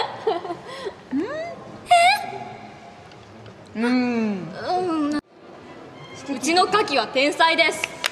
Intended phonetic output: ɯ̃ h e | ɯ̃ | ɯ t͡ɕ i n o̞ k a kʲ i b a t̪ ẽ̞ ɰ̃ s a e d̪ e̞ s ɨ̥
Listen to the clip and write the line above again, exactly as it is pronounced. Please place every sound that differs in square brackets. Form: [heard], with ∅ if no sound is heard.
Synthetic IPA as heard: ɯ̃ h e | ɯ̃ | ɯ t͡ɕ i n o̞ k a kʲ i [β] a t̪ ẽ̞ ɰ̃ s a [i] d̪ e̞ s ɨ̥

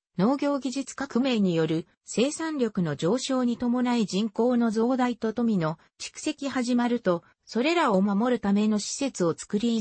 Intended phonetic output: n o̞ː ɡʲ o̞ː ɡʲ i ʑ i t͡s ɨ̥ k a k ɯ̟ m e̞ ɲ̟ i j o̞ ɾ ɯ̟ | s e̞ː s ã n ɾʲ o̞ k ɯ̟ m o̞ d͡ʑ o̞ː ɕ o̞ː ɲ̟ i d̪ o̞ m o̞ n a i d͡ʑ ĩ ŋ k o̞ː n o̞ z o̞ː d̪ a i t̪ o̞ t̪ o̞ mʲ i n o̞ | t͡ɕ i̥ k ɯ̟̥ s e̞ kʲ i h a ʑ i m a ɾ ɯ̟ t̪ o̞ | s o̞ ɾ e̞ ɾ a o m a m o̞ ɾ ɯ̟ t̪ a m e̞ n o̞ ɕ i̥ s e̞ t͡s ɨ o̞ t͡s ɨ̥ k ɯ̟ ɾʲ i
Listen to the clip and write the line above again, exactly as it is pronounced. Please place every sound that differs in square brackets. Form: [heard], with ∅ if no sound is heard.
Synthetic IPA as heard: n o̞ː ɡʲ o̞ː ɡʲ i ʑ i t͡s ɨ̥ k a k ɯ̟ m e̞ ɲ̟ i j o̞ ɾ ɯ̟ | s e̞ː s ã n ɾʲ o̞ k ɯ̟ [n] o̞ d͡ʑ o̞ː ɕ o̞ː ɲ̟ i [t̪] o̞ m o̞ n a i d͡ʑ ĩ ŋ k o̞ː n o̞ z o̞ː d̪ a i t̪ o̞ t̪ o̞ mʲ i n o̞ | t͡ɕ i̥ k ɯ̟̥ s e̞ kʲ i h a ʑ i m a ɾ ɯ̟ t̪ o̞ | s o̞ ɾ e̞ ɾ a o m a m o̞ ɾ ɯ̟ t̪ a m e̞ n o̞ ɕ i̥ s e̞ t͡s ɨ o̞ t͡s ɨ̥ k ɯ̟ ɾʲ i

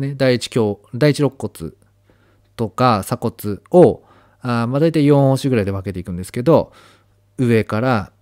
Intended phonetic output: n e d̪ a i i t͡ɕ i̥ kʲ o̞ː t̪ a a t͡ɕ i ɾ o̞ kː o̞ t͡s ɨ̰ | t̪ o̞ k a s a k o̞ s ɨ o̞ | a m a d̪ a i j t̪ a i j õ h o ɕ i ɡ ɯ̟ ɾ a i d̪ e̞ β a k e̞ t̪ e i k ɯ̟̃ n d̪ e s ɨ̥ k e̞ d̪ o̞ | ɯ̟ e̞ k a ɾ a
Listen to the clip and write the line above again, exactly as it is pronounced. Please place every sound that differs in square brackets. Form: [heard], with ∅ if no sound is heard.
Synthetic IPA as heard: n e d̪ a i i t͡ɕ i̥ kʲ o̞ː [d̪] a [i] t͡ɕ i ɾ o̞ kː o̞ t͡s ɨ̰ | t̪ o̞ k a s a k o̞ [t͡s] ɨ o̞ | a m a d̪ a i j t̪ a i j õ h o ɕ i ɡ ɯ̟ ɾ a i d̪ e̞ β a k e̞ t̪ e i k ɯ̟̃ n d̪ e s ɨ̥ k e̞ d̪ o̞ | ɯ̟ e̞ k a ɾ a

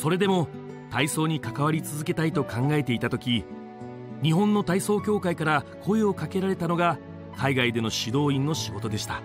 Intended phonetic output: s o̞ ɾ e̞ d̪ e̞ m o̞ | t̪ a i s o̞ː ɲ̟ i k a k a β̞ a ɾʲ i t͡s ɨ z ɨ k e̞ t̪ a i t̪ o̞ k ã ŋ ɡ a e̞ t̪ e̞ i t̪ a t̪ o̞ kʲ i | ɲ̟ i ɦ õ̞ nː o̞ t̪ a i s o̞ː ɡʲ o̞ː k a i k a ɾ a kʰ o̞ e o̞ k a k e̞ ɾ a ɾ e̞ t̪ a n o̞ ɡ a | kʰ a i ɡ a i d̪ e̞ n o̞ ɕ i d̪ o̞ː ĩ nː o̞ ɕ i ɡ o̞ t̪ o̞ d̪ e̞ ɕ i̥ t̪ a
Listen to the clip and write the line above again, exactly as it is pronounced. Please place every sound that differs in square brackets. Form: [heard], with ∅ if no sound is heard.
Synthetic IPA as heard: s o̞ ɾ e̞ d̪ e̞ m o̞ | t̪ a i s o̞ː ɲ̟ i k a k a β̞ a ɾʲ i t͡s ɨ z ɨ k e̞ t̪ a i t̪ o̞ k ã ŋ ɡ a e̞ t̪ e̞ i t̪ a t̪ o̞ kʲ i | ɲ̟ i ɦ õ̞ nː o̞ t̪ a i s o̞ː [kʲ] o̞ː k a i k a ɾ a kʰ o̞ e o̞ k a k e̞ ɾ a ɾ e̞ t̪ a n o̞ ɡ a | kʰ a i ɡ a i d̪ e̞ n o̞ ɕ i d̪ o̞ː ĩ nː o̞ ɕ i ɡ o̞ t̪ o̞ d̪ e̞ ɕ i̥ t̪ a

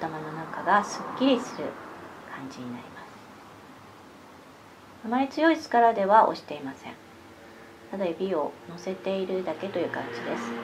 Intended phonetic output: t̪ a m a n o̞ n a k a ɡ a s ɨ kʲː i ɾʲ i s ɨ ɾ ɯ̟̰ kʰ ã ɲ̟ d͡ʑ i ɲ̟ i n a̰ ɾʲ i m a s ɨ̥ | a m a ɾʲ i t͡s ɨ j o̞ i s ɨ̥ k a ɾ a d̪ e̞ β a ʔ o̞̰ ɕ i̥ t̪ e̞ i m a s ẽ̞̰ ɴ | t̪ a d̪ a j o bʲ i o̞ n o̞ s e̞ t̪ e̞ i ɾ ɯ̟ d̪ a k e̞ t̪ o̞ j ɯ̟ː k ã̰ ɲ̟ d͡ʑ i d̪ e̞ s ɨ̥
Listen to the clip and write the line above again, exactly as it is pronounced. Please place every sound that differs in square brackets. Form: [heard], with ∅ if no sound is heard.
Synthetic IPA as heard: t̪ a m a n o̞ n a k a ɡ a s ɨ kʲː i ɾʲ i s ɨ ɾ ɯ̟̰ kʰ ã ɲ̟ d͡ʑ i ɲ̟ i n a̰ ɾʲ i m a s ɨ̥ | a m a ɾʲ i t͡s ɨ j o̞ i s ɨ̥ k a ɾ a d̪ e̞ β a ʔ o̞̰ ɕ i̥ t̪ e̞ i m a s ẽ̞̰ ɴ | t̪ a d̪ a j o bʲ i o̞ n o̞ s e̞ t̪ e̞ i ɾ ɯ̟ d̪ a k e̞ t̪ o̞ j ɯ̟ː k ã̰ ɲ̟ d͡ʑ i d̪ e̞ s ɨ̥

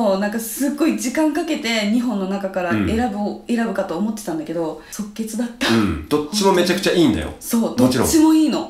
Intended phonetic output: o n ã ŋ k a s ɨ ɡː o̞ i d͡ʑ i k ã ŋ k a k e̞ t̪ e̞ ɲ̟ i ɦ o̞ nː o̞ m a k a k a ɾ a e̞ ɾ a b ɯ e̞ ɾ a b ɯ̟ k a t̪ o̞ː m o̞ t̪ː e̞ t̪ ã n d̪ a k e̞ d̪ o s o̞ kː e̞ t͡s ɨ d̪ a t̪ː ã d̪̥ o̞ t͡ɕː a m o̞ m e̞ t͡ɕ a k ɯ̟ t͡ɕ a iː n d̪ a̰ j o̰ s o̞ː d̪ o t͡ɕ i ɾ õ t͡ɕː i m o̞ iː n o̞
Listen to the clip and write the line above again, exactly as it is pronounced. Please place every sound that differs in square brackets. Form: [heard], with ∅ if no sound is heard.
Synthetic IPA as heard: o n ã ŋ k a s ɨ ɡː o̞ i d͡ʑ i k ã ŋ k a k e̞ t̪ e̞ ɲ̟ i ɦ [õ̞] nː o̞ [n] a k a k a ɾ a e̞ ɾ a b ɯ e̞ ɾ a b ɯ̟ k a t̪ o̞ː m o̞ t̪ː e̞ t̪ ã n d̪ a k e̞ d̪ o s o̞ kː e̞ t͡s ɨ d̪ a t̪ː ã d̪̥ o̞ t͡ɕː [i] m o̞ m e̞ t͡ɕ a k ɯ̟ t͡ɕ a iː n d̪ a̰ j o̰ s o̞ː d̪ o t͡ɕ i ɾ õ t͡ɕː i m o̞ iː n o̞

